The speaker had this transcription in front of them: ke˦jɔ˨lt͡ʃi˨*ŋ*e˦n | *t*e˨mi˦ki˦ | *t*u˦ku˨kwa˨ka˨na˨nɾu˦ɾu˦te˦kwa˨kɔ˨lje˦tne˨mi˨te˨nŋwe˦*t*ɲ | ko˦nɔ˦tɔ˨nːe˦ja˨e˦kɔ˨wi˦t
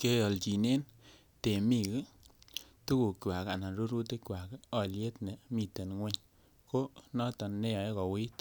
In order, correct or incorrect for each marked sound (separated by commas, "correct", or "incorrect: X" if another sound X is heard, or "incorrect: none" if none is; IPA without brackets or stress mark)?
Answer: incorrect: n, correct, correct, incorrect: none